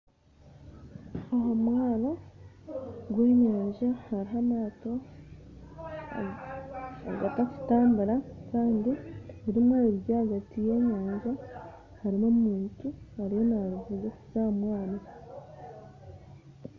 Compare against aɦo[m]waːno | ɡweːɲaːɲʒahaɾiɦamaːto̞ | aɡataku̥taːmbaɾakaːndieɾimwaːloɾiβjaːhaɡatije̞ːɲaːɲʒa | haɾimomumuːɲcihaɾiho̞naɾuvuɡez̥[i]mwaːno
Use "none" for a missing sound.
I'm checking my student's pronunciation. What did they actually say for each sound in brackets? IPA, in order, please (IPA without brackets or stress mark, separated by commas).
m, a